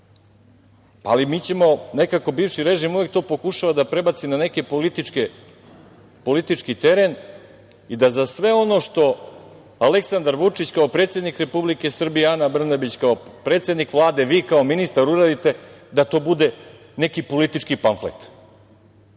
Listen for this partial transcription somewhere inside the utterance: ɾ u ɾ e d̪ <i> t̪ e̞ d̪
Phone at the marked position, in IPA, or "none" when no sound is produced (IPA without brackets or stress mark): i